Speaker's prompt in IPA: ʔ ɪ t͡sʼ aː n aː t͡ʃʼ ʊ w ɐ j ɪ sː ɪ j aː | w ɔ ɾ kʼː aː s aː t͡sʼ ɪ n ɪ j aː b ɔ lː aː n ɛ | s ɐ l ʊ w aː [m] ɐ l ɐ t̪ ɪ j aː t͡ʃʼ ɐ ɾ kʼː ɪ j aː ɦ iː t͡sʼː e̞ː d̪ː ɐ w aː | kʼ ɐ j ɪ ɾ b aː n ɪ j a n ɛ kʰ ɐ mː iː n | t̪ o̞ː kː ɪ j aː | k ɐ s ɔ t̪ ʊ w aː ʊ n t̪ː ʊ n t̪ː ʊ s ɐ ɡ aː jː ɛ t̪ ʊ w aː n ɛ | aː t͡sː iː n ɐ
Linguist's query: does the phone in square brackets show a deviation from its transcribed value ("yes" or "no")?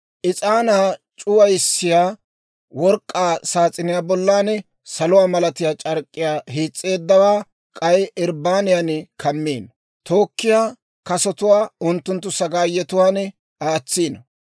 no